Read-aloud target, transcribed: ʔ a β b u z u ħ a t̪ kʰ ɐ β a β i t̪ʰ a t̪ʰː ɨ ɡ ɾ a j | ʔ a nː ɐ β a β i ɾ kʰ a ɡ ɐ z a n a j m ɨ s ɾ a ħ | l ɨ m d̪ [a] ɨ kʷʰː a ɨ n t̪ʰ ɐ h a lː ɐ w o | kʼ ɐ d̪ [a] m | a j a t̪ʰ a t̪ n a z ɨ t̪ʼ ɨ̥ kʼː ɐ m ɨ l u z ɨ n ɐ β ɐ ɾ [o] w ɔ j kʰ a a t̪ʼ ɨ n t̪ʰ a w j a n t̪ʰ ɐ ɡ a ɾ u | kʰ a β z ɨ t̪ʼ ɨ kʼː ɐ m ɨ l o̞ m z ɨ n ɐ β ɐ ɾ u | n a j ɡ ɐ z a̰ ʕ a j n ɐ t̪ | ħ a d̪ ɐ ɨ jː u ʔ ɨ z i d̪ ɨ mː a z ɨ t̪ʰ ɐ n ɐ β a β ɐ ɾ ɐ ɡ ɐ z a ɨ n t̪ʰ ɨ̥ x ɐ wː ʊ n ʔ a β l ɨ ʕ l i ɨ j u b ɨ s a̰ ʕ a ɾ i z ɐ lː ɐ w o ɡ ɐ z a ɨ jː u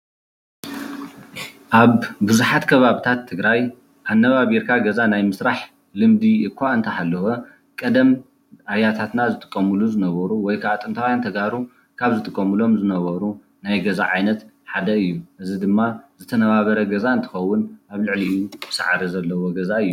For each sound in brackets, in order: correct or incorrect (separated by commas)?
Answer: incorrect, incorrect, incorrect